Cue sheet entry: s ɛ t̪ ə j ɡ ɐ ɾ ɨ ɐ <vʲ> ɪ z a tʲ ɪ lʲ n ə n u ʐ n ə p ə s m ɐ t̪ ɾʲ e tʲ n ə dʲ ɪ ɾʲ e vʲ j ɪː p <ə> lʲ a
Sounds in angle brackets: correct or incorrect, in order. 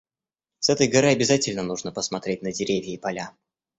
incorrect: bʲ, incorrect: ɐ

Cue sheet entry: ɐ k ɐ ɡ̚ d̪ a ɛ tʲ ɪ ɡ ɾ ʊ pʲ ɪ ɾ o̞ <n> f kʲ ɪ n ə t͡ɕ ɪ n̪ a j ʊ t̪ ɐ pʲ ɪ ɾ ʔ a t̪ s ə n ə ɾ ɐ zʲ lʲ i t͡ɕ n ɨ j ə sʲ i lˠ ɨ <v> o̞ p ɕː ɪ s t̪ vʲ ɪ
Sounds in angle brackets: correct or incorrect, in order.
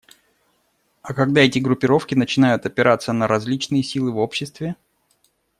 incorrect: none, correct

